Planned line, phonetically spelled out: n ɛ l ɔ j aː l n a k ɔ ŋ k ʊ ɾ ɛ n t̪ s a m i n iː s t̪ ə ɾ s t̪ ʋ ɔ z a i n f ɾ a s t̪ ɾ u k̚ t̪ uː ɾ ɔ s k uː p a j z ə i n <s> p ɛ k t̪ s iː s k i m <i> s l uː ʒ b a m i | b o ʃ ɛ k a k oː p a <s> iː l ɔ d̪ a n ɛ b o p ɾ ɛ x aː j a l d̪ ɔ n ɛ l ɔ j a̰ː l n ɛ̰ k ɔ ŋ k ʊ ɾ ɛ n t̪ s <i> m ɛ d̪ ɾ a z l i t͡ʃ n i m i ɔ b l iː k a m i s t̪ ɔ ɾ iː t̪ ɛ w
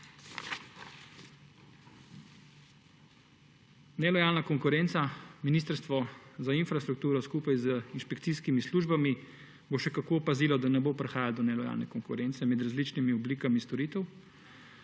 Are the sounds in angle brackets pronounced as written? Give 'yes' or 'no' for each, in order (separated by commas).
no, yes, no, no